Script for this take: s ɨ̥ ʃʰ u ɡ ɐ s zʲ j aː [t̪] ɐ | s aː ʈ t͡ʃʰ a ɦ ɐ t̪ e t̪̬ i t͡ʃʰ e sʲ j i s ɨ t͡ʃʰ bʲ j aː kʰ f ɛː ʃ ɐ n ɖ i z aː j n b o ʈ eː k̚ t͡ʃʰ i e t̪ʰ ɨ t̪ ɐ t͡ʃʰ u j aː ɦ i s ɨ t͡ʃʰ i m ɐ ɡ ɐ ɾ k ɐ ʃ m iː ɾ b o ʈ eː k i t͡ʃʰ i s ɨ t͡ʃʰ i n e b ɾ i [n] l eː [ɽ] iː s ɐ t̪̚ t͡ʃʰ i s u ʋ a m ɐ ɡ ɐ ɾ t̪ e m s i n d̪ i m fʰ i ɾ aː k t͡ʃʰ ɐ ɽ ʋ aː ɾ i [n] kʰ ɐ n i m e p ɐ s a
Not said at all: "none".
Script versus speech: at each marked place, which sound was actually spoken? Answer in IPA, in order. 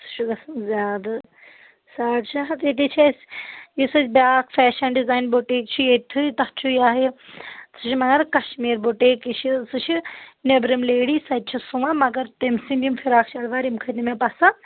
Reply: d̪, m, ɽ, m

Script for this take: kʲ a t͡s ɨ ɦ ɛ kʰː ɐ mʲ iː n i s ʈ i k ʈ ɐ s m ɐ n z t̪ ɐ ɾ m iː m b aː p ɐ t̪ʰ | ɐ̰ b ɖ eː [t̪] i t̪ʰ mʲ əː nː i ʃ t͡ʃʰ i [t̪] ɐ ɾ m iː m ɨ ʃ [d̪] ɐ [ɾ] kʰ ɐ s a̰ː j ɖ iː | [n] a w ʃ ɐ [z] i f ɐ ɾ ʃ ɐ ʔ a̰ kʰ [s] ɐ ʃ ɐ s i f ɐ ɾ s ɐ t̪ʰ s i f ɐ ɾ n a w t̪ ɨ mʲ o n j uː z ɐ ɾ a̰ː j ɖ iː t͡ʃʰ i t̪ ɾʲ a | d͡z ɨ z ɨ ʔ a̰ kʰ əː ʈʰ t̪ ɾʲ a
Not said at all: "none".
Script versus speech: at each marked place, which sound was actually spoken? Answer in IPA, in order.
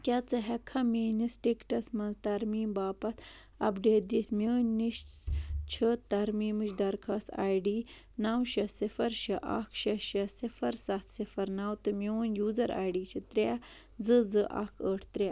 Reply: d̪, t̪, d̪, ɾ, n, s, ʃ

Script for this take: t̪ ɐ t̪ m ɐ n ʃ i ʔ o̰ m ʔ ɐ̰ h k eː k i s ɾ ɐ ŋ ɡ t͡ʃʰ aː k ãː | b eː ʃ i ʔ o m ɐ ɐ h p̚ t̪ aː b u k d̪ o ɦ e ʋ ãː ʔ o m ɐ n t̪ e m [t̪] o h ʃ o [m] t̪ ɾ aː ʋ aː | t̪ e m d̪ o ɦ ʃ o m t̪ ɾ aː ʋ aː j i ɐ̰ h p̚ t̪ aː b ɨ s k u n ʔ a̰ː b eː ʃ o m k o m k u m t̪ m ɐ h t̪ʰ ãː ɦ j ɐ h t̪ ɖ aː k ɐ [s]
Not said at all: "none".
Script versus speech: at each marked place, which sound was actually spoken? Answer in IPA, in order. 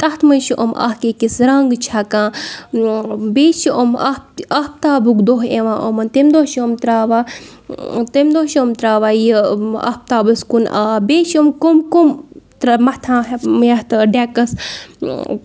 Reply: d̪, m, s

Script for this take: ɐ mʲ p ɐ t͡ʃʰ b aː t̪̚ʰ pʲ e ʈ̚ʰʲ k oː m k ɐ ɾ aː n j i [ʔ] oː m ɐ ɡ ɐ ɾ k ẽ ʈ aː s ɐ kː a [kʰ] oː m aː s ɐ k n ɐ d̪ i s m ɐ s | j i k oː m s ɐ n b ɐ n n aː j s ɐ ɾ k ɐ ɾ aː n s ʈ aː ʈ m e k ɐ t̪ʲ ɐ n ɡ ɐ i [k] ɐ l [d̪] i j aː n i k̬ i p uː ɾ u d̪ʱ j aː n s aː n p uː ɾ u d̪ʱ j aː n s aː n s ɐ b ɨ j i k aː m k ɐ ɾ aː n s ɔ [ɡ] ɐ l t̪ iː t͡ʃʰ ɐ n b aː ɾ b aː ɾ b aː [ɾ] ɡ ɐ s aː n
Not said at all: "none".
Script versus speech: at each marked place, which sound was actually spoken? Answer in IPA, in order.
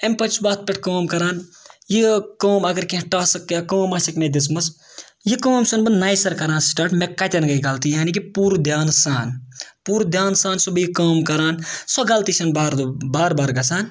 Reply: k, k, ɡ, t̪, ɡ, ɾ

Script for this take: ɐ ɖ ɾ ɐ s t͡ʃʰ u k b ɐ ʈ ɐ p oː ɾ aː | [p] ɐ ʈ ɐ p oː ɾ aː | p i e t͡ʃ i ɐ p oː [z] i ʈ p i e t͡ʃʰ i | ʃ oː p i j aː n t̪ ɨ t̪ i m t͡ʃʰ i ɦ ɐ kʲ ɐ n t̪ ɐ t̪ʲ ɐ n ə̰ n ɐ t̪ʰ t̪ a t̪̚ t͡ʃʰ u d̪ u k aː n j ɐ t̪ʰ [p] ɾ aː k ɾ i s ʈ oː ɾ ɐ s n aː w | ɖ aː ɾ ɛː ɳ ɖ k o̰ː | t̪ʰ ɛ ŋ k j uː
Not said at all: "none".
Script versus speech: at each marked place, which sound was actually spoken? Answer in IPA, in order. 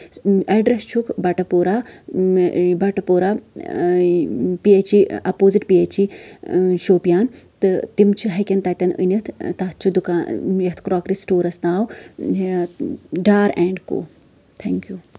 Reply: b, z, k

